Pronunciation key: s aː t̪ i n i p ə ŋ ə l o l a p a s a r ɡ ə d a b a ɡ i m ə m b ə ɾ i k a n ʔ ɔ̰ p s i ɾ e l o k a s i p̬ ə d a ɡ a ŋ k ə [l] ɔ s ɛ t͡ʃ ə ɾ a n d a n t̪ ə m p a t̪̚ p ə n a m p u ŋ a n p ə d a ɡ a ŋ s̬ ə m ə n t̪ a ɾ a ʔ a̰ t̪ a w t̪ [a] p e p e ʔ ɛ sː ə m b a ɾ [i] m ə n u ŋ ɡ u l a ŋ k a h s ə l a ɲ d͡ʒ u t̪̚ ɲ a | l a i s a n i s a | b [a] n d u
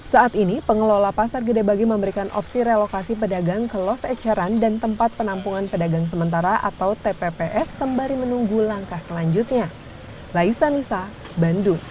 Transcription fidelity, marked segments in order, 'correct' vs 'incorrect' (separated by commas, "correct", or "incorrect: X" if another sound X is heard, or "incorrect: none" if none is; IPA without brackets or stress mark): correct, incorrect: e, correct, correct